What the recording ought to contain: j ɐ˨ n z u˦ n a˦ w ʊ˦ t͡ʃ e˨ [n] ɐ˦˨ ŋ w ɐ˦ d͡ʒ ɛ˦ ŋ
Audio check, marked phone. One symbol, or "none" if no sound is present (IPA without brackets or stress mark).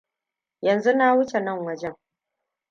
n